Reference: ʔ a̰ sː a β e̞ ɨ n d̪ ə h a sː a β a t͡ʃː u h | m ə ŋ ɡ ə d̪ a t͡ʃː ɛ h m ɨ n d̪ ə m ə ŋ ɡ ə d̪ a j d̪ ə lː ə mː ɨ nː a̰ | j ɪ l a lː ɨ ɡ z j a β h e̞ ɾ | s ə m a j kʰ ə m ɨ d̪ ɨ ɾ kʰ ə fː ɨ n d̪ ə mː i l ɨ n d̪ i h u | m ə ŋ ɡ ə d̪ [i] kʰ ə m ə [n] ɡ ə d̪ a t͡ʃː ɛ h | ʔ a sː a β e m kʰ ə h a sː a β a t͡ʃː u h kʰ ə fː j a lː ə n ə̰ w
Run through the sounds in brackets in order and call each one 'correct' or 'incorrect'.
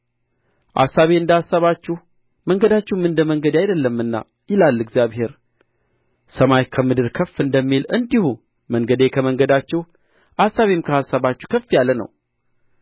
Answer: incorrect: e, incorrect: ŋ

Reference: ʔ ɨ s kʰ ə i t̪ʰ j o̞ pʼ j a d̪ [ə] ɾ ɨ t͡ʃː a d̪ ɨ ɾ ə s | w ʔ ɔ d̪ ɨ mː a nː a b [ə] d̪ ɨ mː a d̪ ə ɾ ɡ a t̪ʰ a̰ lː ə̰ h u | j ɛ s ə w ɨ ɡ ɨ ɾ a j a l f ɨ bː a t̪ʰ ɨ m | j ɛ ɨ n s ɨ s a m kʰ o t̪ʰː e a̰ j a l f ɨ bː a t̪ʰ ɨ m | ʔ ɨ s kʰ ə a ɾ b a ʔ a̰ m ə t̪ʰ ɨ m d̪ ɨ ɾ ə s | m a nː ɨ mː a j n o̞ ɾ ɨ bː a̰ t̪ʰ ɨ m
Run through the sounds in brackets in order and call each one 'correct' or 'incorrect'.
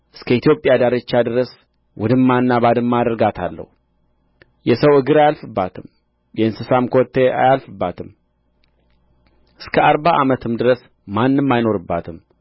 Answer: incorrect: a, incorrect: a

